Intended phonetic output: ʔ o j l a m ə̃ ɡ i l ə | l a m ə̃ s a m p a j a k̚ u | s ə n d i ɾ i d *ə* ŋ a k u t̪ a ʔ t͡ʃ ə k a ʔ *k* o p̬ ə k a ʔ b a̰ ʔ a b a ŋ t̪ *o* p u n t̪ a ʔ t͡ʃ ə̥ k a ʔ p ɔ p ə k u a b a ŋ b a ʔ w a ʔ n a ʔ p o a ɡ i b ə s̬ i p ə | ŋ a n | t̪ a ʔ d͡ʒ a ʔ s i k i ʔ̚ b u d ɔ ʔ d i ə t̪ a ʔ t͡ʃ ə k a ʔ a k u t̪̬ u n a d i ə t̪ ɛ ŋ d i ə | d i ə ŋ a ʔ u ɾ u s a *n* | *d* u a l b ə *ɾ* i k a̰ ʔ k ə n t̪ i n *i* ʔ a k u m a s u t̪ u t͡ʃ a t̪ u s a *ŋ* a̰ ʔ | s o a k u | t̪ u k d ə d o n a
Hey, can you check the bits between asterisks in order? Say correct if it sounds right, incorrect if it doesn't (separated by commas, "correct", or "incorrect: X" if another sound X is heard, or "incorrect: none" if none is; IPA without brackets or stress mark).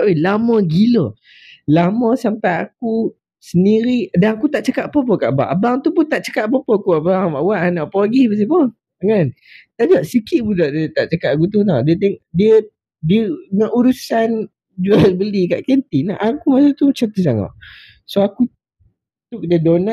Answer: incorrect: a, incorrect: p, incorrect: u, correct, incorrect: d͡ʒ, incorrect: l, incorrect: a, correct